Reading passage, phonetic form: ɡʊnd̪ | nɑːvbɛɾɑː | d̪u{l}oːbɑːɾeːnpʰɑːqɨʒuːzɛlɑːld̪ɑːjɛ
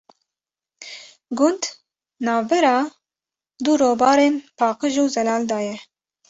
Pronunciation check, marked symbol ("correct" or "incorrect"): incorrect